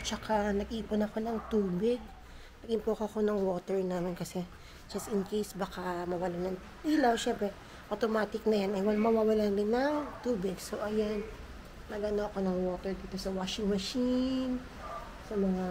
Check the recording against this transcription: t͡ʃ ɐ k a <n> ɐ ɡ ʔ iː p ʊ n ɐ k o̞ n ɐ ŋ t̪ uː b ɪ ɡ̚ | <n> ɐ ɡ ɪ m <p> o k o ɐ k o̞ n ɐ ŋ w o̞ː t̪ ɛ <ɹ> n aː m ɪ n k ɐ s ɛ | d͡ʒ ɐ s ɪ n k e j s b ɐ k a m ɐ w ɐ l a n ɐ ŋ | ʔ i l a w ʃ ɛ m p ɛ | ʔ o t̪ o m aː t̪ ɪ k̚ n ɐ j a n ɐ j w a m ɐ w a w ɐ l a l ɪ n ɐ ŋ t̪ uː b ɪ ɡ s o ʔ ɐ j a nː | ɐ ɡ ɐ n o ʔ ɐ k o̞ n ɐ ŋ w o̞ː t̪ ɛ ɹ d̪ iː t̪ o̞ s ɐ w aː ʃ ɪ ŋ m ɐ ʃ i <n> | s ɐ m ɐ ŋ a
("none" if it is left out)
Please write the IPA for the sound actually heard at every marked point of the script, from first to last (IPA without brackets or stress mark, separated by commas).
n, n, p, ɹ, n